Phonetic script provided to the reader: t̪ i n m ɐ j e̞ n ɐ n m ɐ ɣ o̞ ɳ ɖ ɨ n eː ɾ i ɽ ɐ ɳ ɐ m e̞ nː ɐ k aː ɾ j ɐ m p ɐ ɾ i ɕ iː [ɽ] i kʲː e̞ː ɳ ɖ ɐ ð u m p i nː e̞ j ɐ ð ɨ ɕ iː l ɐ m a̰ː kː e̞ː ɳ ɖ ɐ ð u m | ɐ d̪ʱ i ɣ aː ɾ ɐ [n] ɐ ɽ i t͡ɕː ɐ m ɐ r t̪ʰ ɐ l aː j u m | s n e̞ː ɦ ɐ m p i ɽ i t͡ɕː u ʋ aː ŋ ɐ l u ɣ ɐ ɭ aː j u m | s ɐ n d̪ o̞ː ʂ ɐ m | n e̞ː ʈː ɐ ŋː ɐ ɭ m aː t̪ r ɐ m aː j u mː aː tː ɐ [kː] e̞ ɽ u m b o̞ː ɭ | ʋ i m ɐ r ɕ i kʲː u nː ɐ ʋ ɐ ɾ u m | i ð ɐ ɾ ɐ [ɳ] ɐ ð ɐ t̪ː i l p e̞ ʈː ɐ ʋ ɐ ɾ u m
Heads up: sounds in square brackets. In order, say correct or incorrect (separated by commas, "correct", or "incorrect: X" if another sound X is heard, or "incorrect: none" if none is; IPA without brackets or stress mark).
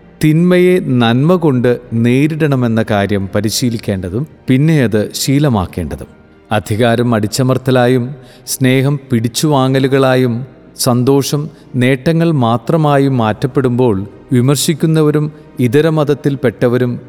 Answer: incorrect: l, incorrect: m, incorrect: pː, incorrect: m